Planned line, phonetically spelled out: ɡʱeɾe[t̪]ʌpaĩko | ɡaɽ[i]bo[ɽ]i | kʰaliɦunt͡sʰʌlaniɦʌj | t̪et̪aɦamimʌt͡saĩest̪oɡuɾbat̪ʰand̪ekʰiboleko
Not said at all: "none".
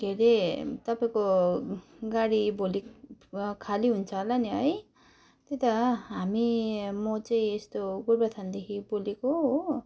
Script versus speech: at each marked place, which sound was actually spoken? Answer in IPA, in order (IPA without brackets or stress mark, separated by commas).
t̪, i, l